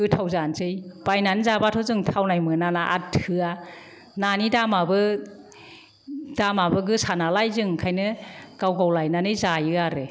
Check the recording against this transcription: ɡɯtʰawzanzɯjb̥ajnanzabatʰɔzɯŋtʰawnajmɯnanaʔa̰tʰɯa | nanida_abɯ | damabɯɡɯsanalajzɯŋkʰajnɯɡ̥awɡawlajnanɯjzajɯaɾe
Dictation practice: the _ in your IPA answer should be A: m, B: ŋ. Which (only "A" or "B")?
A